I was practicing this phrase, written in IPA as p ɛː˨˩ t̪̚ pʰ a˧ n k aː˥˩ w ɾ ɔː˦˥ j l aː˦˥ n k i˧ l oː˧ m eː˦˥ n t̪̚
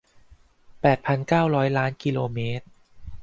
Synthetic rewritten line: p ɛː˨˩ t̪̚ pʰ a˧ n k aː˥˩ w ɾ ɔː˦˥ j l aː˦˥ n k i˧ l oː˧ m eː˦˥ t̪̚